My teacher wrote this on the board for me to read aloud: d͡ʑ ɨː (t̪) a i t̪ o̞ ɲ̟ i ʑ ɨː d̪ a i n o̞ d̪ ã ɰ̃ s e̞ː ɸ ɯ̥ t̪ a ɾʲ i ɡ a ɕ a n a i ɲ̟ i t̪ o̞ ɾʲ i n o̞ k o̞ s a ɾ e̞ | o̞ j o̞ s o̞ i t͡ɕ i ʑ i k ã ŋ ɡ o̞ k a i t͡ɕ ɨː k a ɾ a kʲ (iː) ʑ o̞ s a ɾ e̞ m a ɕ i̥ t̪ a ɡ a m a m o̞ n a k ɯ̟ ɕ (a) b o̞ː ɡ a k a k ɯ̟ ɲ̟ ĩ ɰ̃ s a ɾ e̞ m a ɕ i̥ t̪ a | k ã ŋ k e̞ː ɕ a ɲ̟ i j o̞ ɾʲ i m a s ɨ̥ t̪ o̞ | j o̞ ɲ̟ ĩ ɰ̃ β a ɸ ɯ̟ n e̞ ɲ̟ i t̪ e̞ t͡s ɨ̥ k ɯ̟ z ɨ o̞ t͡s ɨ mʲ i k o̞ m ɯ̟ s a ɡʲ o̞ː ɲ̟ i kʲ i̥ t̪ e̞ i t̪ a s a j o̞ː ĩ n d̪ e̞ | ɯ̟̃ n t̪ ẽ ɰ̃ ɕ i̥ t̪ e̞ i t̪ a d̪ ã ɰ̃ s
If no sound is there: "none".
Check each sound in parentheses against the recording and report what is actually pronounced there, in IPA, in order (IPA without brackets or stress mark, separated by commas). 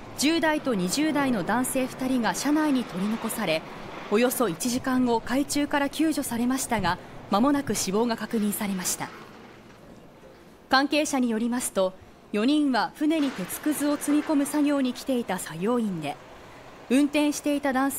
d̪, ɨː, i